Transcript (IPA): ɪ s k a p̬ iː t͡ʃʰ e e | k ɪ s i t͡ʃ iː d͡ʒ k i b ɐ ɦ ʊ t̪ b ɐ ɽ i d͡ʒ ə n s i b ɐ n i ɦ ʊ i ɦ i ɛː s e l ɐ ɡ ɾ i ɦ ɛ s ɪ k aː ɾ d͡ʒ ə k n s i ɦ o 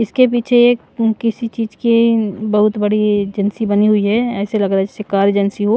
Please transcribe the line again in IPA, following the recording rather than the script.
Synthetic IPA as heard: ɪ s k e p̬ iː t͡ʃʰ e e | k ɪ s i t͡ʃ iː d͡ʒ k i b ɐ ɦ ʊ t̪ b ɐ ɽ i d͡ʒ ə n s i b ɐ n i ɦ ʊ i ɦ ɛ ɛː s e l ɐ ɡ ɾ a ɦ ɛ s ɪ k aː ɾ d͡ʒ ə n s i ɦ o